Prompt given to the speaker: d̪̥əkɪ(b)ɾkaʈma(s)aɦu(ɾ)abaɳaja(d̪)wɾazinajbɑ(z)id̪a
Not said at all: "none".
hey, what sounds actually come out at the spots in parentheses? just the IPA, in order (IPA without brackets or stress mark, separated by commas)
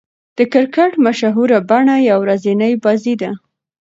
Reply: none, ʃ, ɾ, none, z